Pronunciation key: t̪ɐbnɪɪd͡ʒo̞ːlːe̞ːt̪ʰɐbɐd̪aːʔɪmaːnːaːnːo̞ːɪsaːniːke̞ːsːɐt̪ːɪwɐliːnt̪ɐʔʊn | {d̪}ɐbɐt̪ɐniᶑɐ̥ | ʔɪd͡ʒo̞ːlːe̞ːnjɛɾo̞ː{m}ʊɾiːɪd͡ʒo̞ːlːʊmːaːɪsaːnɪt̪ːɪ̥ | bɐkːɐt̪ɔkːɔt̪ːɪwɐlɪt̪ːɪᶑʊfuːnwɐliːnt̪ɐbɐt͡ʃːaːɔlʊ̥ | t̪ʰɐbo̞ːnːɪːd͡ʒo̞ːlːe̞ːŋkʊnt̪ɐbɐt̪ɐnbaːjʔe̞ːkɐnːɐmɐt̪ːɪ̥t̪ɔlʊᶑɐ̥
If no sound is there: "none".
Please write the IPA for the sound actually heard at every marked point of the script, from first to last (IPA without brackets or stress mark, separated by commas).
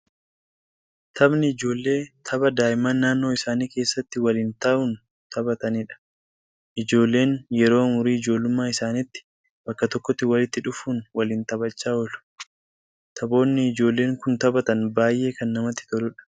t̪, m